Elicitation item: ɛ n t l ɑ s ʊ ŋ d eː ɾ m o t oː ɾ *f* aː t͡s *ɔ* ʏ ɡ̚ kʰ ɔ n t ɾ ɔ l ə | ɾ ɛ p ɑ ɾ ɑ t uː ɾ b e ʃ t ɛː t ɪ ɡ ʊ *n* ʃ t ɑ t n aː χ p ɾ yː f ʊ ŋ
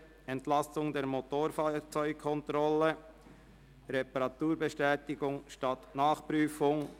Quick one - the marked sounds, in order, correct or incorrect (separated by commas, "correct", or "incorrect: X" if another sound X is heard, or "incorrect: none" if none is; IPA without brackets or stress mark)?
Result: correct, correct, incorrect: ŋ